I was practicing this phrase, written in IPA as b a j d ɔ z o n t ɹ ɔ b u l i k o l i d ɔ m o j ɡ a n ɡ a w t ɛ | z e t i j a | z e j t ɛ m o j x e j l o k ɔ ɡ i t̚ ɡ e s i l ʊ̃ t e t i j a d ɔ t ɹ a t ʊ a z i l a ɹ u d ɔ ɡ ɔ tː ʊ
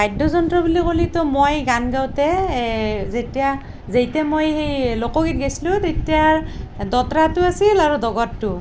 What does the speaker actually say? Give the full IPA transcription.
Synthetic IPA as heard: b a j d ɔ z ɔ n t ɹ ɔ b u l i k o l i t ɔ m o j ɡ a n ɡ a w t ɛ | z e t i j a | z e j t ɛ m o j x e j l o k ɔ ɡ i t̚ ɡ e s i l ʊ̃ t e t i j a d ɔ t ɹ a t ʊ a s i l a ɹ u d ɔ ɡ ɔ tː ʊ